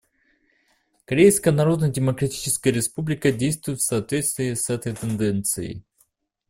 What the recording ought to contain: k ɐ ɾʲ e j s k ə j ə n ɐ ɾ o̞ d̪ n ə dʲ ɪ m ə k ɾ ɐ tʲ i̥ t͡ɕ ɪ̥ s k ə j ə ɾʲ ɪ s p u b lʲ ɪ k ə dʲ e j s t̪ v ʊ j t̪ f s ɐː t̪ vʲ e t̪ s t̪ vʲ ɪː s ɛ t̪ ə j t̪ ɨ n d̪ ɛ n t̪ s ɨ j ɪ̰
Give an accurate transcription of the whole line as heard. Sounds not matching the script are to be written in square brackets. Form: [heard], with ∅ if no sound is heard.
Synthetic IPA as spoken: k ɐ ɾʲ e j s k ə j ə n ɐ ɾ o̞ d̪ n ə dʲ ɪ m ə k ɾ ɐ tʲ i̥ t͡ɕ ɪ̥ s k ə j ə ɾʲ ɪ s p u b lʲ ɪ k ə dʲ e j s t̪ v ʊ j t̪ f s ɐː t̪ vʲ e t̪ s t̪ vʲ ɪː s ɛ t̪ ə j t̪ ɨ n d̪ ɛ n t̪ s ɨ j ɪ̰